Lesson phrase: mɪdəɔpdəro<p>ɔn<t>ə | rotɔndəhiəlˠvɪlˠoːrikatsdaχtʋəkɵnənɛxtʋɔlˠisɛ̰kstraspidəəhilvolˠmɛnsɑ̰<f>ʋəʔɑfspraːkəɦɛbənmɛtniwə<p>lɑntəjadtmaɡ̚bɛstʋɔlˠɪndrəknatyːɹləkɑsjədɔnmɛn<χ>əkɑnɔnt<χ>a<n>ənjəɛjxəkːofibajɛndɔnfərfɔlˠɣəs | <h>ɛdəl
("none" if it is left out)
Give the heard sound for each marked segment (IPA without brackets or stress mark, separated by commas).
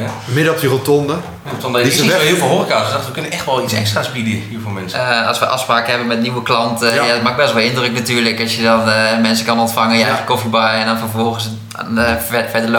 t, d, s, k, s, f, ŋ, f